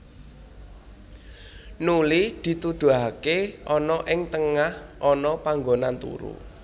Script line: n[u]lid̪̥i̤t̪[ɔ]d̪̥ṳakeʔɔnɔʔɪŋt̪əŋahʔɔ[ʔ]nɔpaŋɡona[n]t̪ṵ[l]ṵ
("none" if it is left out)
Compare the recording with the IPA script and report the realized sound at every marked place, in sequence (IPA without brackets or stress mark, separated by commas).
u, u, none, n, ɾ